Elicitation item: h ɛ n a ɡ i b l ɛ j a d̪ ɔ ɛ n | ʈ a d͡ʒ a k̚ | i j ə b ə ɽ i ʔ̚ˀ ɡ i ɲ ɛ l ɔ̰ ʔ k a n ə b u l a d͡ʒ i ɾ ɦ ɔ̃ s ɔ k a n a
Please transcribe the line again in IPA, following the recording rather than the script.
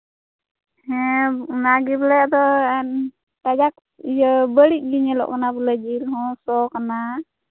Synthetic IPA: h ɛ n a ɡ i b l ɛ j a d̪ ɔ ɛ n | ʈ a d͡ʒ a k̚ | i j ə b ə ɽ i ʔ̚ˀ ɡ i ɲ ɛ l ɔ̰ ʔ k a n a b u l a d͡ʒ i ɾ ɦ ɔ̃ s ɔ k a n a